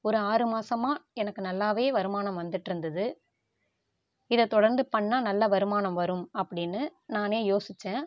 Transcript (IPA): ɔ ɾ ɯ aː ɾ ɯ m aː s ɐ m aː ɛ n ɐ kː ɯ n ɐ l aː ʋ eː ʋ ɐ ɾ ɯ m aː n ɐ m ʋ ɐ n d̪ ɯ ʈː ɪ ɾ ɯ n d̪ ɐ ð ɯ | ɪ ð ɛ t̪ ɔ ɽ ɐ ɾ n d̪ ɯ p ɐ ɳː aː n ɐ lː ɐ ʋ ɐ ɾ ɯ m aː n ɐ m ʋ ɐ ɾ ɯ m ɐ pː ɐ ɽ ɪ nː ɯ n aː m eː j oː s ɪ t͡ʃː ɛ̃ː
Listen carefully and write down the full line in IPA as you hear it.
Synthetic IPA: ɔ ɾ ɯ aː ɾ ɯ m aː s ɐ m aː ɛ n ɐ kː ɯ n ɐ lː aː ʋ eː ʋ ɐ ɾ ɯ m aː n ɐ m ʋ ɐ n d̪ ɯ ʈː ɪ ɾ ɯ n d̪ ɐ ð ɯ | ɪ ð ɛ t̪ ɔ ɽ ɐ ɾ n d̪ ɯ p ɐ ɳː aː n ɐ lː ɐ ʋ ɐ ɾ ɯ m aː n ɐ m ʋ ɐ ɾ ɯ m ɐ pː ɐ ɽ ɪ nː ɯ n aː n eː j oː s ɪ t͡ʃː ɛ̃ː